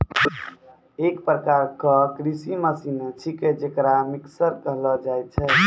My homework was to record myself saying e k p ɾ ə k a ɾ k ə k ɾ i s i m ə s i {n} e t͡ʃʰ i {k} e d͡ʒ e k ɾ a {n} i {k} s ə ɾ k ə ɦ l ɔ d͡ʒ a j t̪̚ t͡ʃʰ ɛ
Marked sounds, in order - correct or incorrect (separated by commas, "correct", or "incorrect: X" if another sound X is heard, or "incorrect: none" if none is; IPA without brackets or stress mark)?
correct, correct, incorrect: m, correct